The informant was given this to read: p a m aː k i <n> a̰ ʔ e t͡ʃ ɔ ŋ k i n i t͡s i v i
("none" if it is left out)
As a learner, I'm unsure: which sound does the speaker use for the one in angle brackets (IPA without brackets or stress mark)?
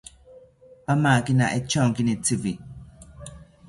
n